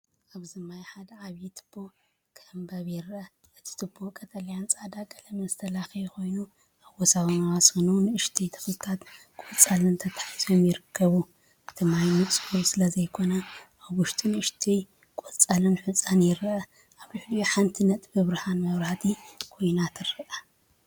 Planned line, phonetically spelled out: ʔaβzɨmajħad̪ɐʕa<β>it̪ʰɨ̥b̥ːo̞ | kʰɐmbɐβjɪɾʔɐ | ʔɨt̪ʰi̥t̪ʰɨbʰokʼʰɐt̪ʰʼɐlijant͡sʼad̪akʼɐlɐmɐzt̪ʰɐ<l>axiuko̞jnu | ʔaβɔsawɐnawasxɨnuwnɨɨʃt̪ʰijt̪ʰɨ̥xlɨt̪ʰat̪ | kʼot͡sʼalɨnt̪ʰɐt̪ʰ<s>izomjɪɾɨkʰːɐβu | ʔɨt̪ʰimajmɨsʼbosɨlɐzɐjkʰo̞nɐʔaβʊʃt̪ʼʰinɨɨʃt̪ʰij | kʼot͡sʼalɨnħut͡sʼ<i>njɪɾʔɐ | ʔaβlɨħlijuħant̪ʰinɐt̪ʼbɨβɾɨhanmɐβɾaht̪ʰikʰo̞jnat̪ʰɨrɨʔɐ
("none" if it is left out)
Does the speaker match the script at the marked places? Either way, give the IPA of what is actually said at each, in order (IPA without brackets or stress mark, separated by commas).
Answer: β, l, ħ, a